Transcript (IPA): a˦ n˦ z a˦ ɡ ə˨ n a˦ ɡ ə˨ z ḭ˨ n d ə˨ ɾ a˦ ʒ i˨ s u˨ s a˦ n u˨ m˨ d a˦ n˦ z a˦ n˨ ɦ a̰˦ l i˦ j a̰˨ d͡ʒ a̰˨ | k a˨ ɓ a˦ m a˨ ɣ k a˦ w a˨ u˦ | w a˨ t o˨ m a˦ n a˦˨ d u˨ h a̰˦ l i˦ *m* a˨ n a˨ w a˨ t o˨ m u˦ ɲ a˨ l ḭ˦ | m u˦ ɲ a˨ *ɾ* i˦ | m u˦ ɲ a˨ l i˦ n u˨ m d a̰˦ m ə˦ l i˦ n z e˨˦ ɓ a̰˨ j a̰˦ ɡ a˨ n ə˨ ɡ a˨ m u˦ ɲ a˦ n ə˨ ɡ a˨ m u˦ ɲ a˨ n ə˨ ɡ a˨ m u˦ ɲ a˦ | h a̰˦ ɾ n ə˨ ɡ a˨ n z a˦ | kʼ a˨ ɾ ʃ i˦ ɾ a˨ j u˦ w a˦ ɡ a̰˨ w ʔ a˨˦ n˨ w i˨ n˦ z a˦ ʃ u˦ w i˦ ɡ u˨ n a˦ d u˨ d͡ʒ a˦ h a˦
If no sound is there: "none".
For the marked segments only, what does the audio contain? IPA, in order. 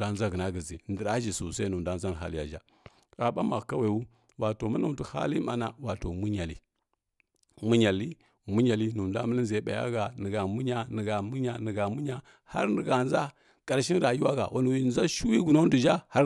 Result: m, l

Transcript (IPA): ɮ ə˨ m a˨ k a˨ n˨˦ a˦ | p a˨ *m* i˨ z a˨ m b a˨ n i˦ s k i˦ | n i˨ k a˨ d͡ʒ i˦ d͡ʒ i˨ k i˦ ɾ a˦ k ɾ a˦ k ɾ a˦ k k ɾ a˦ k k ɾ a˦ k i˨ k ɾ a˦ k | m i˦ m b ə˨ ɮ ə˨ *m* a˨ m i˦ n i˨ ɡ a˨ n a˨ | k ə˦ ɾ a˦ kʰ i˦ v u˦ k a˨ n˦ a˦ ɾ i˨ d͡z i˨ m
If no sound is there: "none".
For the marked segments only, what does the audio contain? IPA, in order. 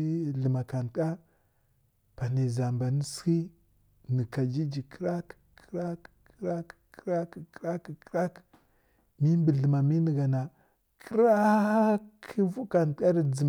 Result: n, m

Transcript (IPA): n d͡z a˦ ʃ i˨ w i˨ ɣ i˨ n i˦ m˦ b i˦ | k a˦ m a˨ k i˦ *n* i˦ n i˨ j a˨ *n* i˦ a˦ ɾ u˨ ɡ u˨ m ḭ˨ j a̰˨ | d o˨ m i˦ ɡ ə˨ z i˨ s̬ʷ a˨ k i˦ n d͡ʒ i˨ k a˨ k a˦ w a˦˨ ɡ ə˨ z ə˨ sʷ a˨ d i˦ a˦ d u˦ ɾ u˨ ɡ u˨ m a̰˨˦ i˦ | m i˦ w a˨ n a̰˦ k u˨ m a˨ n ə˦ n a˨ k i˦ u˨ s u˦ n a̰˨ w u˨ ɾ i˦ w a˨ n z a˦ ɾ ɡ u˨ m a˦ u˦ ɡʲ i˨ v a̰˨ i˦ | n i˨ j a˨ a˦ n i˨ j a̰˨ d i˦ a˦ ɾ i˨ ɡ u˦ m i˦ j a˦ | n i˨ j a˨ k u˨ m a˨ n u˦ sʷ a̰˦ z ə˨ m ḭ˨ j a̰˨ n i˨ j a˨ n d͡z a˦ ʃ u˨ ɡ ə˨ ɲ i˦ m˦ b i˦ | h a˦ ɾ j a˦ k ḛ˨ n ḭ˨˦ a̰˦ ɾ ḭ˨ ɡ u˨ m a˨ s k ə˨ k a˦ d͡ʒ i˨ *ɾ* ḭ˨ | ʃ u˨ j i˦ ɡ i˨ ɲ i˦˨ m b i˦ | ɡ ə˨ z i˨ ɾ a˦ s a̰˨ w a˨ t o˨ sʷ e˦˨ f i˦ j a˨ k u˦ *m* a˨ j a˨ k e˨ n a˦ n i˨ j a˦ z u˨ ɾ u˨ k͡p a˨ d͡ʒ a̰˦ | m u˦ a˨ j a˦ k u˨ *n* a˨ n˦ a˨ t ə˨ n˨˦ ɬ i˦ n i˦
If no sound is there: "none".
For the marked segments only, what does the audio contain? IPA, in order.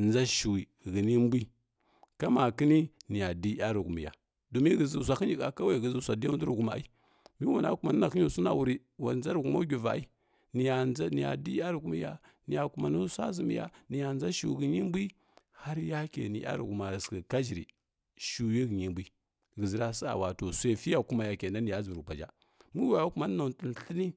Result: n, d, ɾ, m, m

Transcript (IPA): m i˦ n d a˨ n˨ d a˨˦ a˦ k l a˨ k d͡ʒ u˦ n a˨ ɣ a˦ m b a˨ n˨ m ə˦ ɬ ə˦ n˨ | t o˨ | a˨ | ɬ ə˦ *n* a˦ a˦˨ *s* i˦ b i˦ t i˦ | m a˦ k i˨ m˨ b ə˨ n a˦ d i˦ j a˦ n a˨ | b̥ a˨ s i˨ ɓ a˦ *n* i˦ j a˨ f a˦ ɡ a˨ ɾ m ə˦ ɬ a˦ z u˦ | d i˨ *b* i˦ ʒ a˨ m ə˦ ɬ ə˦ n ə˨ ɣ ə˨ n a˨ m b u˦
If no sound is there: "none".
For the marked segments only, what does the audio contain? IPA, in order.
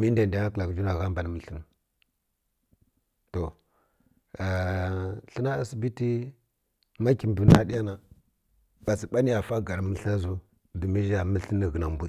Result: n, s, n, m

